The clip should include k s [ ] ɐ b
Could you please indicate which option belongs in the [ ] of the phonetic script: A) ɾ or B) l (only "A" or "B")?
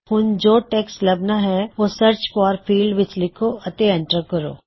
B